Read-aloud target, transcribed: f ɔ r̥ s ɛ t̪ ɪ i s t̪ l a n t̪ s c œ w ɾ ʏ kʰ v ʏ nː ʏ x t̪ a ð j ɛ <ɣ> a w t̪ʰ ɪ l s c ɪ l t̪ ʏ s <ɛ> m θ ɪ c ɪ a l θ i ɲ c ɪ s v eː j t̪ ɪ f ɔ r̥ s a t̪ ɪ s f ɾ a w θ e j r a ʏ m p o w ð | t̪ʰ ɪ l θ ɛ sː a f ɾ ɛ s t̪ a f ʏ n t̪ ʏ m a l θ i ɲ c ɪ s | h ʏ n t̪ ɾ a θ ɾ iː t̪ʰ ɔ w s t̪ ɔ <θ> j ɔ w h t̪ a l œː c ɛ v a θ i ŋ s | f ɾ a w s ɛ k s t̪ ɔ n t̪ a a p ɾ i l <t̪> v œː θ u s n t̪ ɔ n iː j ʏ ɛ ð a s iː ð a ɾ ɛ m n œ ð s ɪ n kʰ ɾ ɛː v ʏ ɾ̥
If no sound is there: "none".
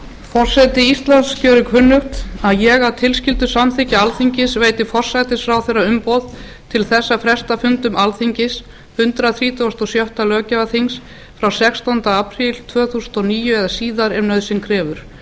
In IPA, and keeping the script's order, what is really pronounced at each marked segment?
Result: ɣ, a, s, t̪ʰ

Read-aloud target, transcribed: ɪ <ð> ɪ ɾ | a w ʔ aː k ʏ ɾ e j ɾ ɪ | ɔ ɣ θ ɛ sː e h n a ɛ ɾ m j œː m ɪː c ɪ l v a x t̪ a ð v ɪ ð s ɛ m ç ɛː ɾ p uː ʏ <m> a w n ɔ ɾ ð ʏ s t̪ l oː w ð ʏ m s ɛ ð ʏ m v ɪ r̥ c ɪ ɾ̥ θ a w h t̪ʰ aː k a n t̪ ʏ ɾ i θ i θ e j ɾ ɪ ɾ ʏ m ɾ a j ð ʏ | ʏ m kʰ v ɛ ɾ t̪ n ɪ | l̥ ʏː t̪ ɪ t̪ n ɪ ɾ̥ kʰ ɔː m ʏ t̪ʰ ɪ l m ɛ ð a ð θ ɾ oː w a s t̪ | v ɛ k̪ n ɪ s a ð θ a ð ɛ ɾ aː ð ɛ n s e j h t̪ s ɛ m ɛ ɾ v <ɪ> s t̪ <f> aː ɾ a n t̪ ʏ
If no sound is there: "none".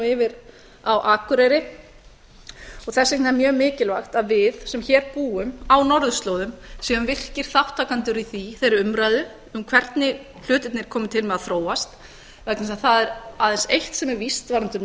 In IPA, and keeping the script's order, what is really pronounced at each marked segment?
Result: v, m, i, v

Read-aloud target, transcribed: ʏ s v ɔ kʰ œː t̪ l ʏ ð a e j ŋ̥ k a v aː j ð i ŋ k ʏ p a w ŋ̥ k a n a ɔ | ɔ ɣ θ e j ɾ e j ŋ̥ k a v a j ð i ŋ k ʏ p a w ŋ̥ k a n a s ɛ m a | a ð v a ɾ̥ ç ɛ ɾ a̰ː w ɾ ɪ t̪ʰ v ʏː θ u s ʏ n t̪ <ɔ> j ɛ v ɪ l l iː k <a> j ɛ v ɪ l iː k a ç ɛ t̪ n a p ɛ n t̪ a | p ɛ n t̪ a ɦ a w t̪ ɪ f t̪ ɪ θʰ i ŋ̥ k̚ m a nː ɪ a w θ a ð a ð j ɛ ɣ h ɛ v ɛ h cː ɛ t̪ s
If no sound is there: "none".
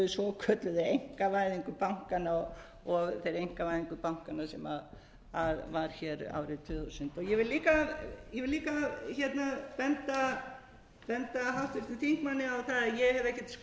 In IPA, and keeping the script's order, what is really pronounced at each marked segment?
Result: ɔ, a

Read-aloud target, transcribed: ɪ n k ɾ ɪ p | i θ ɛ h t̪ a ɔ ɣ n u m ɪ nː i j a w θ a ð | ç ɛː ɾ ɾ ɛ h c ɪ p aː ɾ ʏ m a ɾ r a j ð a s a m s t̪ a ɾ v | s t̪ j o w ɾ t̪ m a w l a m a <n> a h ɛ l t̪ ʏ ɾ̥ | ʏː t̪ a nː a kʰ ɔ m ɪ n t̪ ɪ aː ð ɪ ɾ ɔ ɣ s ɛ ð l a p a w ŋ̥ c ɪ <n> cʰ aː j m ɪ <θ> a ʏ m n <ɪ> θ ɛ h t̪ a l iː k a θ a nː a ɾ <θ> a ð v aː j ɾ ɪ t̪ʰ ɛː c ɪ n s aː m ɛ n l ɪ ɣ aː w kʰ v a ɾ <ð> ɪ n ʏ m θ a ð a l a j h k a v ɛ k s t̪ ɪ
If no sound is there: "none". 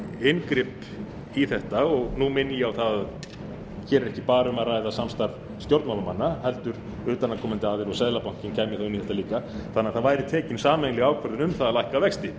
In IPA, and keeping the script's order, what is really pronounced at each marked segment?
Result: nː, n, θ, i, θ, ð

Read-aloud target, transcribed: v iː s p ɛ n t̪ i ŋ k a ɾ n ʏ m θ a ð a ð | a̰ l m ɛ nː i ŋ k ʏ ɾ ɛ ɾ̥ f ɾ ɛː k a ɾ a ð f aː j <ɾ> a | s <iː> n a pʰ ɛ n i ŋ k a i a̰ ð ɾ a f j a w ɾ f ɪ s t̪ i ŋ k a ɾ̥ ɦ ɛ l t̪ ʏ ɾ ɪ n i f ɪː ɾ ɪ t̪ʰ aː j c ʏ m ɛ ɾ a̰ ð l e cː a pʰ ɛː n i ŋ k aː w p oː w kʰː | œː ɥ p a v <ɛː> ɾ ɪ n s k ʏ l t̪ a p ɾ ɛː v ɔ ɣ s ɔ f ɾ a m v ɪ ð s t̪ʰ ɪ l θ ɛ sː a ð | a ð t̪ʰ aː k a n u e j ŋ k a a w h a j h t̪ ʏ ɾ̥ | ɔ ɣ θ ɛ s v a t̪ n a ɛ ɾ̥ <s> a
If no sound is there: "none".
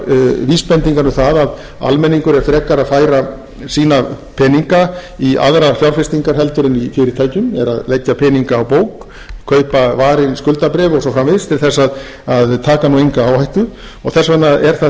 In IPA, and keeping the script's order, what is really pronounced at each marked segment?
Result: ɾ, iː, aː, θ

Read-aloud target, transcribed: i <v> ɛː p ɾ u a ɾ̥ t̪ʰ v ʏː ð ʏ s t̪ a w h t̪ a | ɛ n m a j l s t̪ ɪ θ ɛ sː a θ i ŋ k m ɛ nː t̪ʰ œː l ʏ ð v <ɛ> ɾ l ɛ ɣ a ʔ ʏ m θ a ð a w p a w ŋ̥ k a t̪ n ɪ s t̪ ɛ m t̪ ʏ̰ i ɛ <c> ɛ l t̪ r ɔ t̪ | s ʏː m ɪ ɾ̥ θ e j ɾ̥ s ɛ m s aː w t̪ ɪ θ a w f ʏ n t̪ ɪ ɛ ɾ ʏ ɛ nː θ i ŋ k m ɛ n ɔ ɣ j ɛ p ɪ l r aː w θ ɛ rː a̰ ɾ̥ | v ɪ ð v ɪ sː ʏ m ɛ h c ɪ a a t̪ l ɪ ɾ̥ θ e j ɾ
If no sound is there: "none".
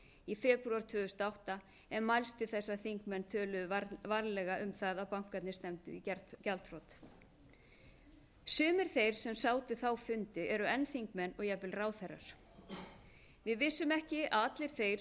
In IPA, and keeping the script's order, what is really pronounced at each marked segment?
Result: f, a, c

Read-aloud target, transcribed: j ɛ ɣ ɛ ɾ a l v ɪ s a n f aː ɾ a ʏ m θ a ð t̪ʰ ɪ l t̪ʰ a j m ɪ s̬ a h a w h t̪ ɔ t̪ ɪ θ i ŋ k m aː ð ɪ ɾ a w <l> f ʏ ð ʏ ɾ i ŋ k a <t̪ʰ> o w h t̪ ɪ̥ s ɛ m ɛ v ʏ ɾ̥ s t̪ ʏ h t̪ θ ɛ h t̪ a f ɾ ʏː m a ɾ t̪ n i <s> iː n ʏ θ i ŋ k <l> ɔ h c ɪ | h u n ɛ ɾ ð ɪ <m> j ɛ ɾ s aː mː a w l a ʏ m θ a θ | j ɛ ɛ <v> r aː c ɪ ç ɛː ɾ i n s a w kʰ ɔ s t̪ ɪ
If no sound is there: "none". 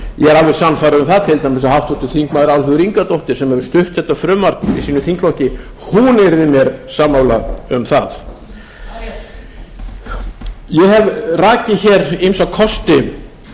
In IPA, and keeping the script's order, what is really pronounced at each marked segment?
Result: l, t̪, s, l, m, v

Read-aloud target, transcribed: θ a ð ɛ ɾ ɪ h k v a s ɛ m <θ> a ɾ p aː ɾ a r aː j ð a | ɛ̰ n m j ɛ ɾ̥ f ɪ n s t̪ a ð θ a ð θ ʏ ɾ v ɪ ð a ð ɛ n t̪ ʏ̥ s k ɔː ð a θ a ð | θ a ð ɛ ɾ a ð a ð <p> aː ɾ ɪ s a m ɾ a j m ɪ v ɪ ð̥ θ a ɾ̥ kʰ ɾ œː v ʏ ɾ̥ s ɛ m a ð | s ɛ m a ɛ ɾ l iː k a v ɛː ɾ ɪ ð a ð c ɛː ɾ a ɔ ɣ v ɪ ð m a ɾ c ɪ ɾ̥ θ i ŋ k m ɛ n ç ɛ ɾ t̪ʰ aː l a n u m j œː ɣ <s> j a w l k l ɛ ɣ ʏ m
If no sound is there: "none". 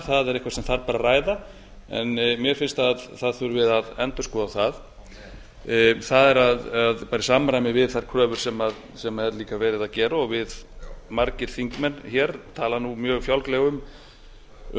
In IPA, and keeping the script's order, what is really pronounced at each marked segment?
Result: θ, p, f

